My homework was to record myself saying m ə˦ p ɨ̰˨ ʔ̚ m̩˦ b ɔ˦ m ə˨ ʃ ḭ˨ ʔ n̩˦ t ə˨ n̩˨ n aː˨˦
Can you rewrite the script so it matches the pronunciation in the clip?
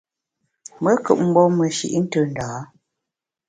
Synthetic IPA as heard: m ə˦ k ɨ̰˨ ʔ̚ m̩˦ b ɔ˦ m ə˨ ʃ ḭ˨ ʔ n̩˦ t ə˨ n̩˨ d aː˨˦